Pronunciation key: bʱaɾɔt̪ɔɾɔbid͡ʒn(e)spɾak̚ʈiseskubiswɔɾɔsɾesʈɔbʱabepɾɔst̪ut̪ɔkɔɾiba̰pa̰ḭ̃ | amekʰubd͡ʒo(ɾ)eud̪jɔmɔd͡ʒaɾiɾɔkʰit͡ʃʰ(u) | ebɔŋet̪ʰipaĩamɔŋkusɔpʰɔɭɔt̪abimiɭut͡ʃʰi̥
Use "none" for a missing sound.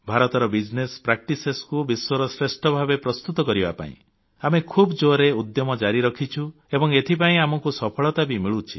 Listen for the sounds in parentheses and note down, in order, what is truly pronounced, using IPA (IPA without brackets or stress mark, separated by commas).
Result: e, ɾ, u